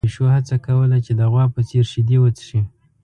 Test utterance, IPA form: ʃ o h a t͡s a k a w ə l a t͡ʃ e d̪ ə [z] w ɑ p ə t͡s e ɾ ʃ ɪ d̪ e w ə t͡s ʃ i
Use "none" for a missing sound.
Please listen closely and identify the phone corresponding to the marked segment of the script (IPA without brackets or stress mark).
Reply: ɣ